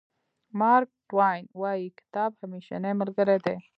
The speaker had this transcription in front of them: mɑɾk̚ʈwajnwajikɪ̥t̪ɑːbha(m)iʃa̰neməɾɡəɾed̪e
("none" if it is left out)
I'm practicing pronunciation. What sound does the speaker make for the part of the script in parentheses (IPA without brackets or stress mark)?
m